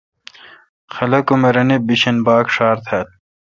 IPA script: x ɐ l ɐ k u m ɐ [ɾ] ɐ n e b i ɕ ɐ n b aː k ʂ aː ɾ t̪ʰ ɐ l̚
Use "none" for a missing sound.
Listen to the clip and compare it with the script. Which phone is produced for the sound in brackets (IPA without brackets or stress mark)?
ɾ